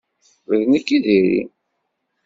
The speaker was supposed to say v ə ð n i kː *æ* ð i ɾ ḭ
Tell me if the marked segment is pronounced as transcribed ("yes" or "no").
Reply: no